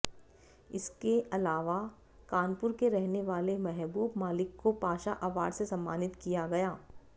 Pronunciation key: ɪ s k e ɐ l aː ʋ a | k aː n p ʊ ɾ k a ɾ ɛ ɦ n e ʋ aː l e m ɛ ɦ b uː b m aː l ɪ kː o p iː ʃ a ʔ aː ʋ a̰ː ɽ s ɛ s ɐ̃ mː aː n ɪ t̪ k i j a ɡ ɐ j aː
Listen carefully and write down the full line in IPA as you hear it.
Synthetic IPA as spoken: ɪ s k e ɐ l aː ʋ a | k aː n p ʊ ɾ k e ɾ ɛ ɦ n e ʋ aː l e m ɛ ɦ b uː b m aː l ɪ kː o p aː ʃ a ʔ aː ʋ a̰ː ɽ s e s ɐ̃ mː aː n ɪ t̪ k i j a ɡ ɐ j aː